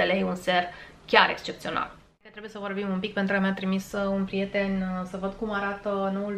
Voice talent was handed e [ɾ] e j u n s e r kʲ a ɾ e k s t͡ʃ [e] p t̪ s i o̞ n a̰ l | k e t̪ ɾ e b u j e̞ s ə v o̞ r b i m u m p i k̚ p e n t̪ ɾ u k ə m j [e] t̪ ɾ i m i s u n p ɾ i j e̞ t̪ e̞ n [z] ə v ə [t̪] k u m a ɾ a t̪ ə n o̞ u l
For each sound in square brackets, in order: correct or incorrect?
incorrect: l, correct, incorrect: a, incorrect: s, incorrect: d̪

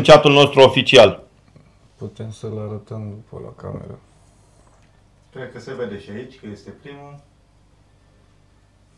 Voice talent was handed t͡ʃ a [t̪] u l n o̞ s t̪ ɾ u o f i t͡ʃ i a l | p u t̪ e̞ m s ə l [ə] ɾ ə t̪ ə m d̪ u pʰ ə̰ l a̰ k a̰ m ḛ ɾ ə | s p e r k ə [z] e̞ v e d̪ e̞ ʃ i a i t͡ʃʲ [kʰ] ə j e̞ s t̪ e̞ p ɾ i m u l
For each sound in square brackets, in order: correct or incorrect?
correct, incorrect: a, incorrect: s, incorrect: k

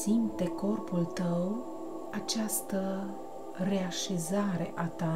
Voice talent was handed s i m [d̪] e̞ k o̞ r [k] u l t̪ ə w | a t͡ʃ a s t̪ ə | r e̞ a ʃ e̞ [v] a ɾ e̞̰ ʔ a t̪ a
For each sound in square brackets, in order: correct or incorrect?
incorrect: t̪, incorrect: p, incorrect: z

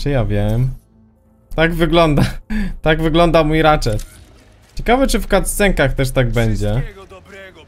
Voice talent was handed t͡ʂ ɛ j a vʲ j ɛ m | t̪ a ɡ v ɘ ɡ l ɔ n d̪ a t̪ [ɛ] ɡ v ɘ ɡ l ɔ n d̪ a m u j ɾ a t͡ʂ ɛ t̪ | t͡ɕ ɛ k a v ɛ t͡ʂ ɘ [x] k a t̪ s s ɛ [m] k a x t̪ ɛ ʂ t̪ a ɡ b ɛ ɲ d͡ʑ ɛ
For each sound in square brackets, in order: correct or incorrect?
incorrect: a, incorrect: f, incorrect: ŋ

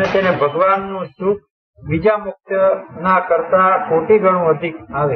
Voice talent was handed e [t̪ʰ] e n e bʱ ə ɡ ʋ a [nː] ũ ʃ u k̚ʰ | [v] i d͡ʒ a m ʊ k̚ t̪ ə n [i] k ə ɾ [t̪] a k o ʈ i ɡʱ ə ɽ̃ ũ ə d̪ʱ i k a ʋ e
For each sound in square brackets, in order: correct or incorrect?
incorrect: t̪, correct, incorrect: ʋ, incorrect: a, correct

